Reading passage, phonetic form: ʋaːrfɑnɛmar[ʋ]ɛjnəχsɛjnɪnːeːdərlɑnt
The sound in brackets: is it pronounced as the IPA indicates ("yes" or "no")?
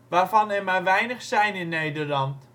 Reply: yes